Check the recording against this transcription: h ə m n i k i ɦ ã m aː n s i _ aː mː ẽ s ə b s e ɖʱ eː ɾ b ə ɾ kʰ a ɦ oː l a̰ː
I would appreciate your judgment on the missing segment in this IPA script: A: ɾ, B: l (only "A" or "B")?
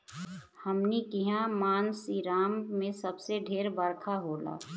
A